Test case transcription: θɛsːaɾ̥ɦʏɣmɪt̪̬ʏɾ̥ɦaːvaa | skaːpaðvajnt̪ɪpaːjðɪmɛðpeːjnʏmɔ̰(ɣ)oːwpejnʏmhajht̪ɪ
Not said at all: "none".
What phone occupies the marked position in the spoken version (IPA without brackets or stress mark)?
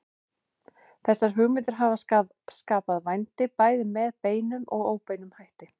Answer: ɣ